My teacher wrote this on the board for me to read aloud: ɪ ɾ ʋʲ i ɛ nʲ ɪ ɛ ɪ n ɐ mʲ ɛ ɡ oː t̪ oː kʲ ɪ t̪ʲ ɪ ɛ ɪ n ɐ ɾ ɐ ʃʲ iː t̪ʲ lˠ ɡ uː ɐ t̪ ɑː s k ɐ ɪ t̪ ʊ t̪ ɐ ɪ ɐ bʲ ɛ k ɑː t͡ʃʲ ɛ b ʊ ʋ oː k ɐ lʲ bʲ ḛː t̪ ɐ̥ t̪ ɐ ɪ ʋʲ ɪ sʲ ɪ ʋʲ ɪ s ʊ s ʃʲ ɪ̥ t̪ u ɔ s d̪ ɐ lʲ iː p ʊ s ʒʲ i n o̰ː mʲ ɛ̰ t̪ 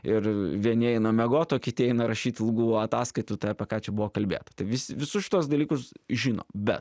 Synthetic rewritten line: ɪ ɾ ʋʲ i ɛ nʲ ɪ ɛ ɪ n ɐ mʲ ɛ ɡ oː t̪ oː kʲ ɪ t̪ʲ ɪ ɛ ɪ n ɐ ɾ ɐ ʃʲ iː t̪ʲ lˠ ɡ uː ɐ t̪ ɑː s k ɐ ɪ t̪ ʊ t̪ ɐ ɪ ɐ pʲ ɛ k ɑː t͡ʃʲ ɛ b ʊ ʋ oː k ɐ lʲ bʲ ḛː t̪ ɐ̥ t̪ ɐ ɪ ʋʲ ɪ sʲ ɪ ʋʲ ɪ s ʊ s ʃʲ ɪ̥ t̪ u ɔ s d̪ ɐ lʲ iː k ʊ s ʒʲ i n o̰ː bʲ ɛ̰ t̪